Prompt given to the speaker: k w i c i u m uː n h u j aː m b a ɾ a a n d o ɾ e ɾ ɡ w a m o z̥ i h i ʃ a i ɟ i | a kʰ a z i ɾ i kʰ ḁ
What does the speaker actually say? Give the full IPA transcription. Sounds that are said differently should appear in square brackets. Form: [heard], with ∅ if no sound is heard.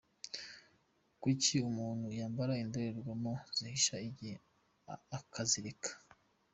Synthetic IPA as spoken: k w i c i u m uː n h u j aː m b a ɾ a [i] n d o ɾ e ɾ ɡ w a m o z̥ i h i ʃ a i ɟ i | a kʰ a z i ɾ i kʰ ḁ